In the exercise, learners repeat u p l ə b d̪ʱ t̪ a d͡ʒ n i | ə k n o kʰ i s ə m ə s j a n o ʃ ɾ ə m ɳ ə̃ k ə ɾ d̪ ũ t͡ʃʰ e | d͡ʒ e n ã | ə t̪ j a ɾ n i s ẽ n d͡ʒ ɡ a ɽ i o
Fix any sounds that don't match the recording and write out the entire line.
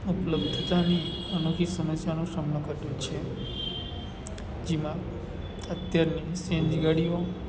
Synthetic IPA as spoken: u p l ə b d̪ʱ t̪ a n i | ə n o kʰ i s ə m ə s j a n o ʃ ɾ ə m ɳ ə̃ k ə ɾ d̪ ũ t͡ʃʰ e | d͡ʒ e m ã | ə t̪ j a ɾ n i s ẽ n d͡ʒ ɡ a ɽ i o